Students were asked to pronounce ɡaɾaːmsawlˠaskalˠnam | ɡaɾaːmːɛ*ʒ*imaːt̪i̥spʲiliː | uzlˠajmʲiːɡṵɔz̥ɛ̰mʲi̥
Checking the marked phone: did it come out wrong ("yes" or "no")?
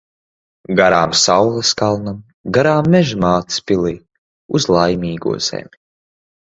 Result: no